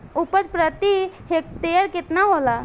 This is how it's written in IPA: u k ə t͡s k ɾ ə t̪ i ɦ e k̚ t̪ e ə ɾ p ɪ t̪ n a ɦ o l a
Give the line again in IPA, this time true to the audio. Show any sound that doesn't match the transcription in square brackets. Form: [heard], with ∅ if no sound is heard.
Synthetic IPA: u [p] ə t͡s [p] ɾ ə t̪ i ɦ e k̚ t̪ e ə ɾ [k] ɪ t̪ n a ɦ o l a